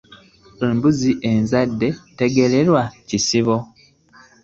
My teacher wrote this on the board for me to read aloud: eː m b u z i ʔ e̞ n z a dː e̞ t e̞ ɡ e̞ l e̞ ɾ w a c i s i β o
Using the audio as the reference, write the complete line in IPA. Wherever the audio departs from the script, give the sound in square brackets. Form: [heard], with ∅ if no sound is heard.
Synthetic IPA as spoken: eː m b u z i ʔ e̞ n z a dː e̞ t e̞ ɡ e̞ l e̞ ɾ w a c i s i β o